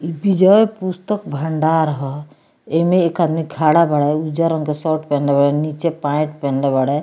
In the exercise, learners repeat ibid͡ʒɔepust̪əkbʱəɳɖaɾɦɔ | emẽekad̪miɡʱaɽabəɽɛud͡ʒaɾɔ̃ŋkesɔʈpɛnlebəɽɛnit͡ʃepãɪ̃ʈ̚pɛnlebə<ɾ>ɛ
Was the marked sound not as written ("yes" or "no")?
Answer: yes